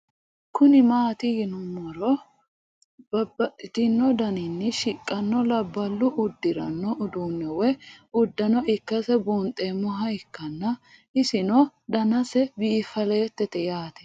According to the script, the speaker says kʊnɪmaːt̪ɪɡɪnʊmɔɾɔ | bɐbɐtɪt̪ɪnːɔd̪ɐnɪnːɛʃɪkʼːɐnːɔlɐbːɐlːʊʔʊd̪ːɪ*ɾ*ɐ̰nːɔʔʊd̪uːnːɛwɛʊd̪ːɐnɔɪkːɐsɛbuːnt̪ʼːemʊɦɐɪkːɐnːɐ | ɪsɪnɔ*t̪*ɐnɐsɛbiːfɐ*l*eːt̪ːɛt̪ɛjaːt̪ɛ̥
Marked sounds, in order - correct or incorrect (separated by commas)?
correct, incorrect, correct